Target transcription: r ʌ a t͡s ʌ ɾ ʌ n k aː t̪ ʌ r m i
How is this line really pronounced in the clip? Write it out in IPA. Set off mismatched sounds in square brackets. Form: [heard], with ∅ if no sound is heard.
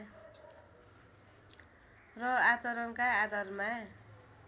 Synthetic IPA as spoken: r ʌ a t͡s ʌ ɾ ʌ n k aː [d̪] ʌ r m [a]